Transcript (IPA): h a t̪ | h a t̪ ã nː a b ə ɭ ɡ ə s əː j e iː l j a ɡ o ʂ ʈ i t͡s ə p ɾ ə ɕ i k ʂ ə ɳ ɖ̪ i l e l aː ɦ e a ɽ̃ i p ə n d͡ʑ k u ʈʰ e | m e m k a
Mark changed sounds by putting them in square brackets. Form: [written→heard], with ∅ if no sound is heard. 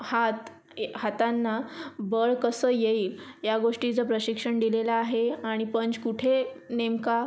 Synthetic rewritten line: h a t̪ | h a t̪ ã nː a b ə ɭ [ɡ→k] ə s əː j e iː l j a ɡ o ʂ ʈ i t͡s ə p ɾ ə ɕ i k ʂ ə ɳ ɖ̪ i l e l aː ɦ e a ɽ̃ i p ə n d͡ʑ k u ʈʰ e | [m→n] e m k a